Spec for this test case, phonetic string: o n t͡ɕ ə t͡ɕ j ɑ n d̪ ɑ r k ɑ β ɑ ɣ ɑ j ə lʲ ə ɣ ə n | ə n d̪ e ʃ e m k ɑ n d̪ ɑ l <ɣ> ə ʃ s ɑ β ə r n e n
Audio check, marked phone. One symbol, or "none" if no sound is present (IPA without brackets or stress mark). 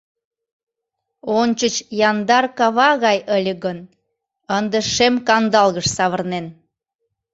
ɣ